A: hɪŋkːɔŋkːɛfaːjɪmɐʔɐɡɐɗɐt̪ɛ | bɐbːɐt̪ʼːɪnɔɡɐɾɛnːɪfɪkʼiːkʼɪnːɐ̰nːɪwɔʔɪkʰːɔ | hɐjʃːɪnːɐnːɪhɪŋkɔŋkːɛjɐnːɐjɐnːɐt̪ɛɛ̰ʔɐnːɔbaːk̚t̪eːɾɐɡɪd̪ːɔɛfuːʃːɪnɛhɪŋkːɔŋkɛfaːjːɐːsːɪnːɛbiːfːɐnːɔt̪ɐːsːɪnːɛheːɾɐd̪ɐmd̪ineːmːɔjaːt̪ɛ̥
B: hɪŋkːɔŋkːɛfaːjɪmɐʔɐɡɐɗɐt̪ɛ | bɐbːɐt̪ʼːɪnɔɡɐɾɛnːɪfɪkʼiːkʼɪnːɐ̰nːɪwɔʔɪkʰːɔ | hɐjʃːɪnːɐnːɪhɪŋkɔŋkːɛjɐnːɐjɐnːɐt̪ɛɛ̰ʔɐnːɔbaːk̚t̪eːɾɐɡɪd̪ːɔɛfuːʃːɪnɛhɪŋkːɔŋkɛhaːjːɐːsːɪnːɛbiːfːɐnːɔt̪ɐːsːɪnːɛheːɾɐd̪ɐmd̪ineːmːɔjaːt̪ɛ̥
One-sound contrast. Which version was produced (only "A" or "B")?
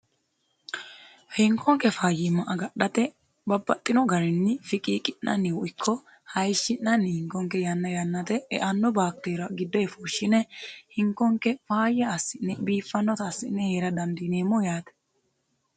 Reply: A